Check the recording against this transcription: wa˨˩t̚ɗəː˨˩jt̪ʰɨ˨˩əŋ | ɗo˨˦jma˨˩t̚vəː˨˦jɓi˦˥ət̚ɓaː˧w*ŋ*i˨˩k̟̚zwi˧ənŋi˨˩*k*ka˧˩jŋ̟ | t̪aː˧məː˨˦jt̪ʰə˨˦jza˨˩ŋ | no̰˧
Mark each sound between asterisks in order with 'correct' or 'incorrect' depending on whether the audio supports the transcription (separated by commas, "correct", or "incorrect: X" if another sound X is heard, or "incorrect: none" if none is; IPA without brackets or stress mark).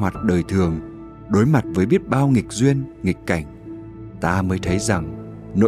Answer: correct, correct